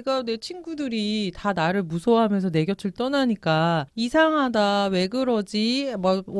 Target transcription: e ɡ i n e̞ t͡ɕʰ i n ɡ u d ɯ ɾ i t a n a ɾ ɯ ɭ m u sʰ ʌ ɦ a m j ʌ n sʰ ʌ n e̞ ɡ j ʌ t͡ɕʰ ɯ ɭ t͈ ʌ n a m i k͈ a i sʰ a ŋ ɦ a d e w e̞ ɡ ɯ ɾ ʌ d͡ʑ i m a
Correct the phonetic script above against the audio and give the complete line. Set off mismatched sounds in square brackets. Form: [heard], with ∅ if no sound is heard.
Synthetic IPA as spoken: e ɡ [a] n e̞ t͡ɕʰ i n ɡ u d ɯ ɾ i t a n a ɾ ɯ ɭ m u sʰ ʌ ɦ a m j ʌ n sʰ ʌ n e̞ ɡ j ʌ t͡ɕʰ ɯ ɭ t͈ ʌ n a [ɲ] i k͈ a i sʰ a ŋ ɦ a d [a] w e̞ ɡ ɯ ɾ ʌ d͡ʑ i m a